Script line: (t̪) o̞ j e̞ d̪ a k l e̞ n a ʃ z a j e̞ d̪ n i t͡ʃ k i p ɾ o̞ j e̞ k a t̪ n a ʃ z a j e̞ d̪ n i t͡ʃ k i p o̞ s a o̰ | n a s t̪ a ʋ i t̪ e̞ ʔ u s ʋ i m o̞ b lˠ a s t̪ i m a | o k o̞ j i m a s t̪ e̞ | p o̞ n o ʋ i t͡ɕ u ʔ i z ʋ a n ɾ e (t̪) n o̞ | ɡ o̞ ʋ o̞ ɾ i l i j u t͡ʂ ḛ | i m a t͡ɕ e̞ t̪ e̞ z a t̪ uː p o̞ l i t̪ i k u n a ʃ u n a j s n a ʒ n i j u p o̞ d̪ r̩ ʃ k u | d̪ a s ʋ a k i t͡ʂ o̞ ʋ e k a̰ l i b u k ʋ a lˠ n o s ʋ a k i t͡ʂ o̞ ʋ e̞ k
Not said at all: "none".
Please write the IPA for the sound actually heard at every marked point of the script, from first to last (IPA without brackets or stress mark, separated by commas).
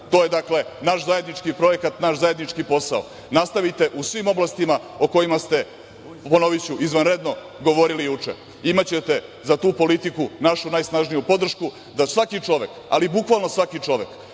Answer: t̪, d̪